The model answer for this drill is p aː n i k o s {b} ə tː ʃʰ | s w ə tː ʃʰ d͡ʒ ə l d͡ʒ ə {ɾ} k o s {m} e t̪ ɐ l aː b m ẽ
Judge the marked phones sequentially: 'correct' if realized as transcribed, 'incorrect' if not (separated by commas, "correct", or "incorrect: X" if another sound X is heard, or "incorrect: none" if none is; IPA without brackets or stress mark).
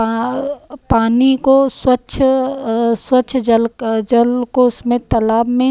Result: incorrect: w, incorrect: l, correct